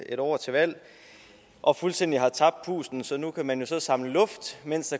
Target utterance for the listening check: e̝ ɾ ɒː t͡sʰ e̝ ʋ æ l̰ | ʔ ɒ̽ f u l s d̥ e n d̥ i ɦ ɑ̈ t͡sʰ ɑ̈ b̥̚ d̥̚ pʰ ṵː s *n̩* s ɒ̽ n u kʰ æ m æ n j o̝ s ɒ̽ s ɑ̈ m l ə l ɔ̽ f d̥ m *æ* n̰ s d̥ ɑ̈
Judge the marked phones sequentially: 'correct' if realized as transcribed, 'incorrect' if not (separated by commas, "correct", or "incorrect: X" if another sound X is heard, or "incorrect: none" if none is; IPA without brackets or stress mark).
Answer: correct, incorrect: e